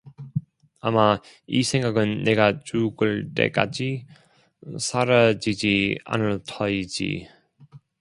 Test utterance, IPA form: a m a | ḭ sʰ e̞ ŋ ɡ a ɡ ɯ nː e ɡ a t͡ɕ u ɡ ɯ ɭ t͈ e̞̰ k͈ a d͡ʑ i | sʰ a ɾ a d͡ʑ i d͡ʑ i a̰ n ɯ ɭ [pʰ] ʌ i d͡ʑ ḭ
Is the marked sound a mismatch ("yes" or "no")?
yes